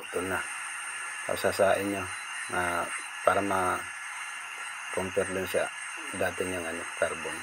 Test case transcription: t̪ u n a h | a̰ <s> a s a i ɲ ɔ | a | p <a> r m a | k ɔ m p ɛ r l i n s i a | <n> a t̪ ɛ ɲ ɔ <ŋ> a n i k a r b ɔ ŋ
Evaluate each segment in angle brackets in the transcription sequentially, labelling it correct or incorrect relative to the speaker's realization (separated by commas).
correct, correct, incorrect, correct